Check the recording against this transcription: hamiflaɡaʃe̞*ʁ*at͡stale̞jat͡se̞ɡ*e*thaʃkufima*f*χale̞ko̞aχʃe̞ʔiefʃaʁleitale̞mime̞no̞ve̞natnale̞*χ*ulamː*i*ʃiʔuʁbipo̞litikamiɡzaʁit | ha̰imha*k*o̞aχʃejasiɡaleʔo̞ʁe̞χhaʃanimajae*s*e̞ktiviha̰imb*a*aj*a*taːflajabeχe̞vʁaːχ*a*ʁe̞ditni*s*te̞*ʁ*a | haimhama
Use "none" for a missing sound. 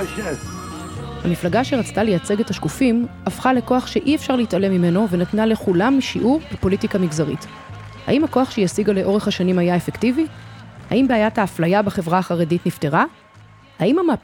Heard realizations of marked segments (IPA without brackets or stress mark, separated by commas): ʁ, e, f, χ, i, k, f, e, a, a, f, ʁ